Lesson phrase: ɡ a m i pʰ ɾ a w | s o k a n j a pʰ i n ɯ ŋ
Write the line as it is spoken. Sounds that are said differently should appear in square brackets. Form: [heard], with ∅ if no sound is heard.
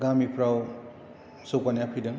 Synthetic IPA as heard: ɡ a m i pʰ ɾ a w | s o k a n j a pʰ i [d] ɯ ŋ